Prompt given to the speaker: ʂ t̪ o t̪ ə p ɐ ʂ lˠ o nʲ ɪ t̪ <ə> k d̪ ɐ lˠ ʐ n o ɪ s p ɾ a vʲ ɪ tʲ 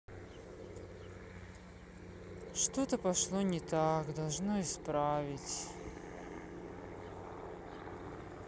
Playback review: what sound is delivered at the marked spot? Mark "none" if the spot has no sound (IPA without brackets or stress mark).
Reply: a